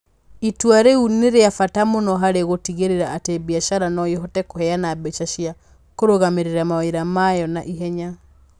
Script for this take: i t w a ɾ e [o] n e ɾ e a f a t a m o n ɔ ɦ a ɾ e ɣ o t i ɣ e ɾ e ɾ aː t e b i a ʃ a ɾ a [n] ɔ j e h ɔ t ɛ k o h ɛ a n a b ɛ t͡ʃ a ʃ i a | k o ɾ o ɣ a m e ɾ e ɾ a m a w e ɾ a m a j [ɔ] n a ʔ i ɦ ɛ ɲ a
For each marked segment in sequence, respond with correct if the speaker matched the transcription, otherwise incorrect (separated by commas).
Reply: incorrect, correct, correct